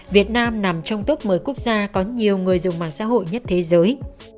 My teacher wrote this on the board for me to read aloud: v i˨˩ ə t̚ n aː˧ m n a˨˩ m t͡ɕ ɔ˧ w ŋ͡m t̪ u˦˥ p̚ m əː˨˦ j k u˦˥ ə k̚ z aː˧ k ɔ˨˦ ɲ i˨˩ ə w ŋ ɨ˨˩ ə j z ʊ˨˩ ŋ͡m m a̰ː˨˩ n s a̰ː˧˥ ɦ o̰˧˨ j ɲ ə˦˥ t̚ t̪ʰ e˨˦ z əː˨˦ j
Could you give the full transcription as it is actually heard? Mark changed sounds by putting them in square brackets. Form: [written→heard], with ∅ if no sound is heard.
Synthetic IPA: v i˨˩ ə t̚ n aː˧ m n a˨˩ m t͡ɕ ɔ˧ w ŋ͡m t̪ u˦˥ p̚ m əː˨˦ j k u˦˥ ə k̚ z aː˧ k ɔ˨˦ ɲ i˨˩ ə w ŋ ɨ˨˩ ə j z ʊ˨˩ ŋ͡m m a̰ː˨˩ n s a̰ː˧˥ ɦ o̰˧˨ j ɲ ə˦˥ t̚ t̪ʰ e˨˦ z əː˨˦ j